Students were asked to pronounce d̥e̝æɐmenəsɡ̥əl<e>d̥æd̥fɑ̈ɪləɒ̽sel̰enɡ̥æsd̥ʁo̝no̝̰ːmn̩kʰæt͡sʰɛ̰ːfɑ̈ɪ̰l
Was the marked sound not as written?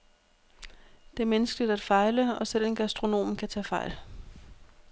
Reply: yes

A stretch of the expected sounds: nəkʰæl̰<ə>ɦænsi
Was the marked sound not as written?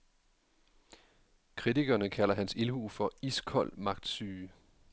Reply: yes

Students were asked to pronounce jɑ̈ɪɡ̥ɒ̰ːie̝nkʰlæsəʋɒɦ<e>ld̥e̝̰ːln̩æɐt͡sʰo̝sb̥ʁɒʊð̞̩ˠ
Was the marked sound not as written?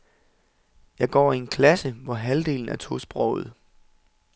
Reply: yes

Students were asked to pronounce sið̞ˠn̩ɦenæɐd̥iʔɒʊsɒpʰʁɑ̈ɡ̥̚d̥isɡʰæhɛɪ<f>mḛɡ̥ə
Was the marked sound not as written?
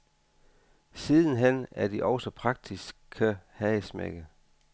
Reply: yes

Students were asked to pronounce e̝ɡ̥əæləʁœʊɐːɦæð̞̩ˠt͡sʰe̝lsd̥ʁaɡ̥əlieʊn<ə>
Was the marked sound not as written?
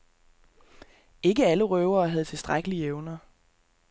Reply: yes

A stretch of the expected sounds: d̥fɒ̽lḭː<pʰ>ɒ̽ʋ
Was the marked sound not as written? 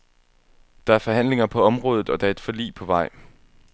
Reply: no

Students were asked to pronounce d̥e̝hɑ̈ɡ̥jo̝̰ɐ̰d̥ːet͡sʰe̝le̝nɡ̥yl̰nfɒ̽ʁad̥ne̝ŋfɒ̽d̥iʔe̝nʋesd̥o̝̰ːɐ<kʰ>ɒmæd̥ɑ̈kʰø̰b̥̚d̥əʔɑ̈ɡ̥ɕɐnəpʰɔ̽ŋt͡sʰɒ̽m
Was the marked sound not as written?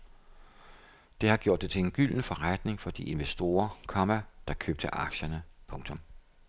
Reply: no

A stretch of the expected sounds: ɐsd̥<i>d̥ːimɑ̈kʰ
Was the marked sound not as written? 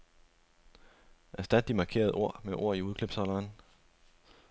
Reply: yes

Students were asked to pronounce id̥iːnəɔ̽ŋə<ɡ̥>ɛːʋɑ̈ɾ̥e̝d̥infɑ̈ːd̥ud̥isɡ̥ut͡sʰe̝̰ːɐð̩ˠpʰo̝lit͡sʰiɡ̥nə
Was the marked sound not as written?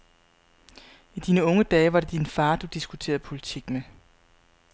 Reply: yes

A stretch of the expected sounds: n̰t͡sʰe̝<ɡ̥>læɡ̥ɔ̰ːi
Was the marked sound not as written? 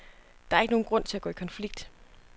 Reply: yes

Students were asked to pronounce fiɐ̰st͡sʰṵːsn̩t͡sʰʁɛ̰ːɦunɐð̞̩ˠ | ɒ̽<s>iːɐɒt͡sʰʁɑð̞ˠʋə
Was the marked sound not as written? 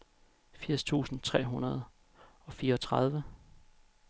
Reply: yes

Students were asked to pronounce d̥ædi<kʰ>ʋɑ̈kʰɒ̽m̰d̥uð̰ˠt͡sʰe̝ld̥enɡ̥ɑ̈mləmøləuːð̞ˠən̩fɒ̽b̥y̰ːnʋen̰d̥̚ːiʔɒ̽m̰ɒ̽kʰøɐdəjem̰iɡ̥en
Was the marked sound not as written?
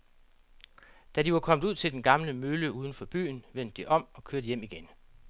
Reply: yes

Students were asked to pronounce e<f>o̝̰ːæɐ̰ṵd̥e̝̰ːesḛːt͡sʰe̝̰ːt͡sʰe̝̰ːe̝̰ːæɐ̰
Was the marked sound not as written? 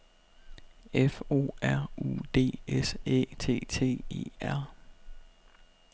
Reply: no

